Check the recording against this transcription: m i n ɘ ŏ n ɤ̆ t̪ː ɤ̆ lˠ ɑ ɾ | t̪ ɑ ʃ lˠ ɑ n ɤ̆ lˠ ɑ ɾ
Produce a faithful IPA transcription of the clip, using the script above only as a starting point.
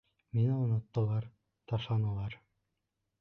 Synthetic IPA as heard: m i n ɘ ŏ n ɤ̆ t̪ː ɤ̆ lˠ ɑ ɾ | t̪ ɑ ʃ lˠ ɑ n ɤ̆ lˠ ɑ ɾ